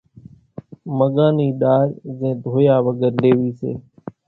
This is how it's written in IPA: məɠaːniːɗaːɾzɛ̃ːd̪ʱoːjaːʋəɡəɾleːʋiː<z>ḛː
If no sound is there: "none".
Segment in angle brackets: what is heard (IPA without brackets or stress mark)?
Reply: s